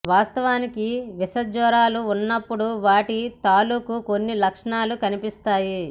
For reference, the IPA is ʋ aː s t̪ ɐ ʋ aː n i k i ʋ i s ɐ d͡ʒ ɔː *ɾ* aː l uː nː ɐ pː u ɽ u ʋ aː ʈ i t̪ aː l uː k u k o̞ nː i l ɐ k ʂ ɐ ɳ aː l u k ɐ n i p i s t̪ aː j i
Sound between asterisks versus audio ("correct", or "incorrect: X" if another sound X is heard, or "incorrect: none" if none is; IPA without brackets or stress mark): correct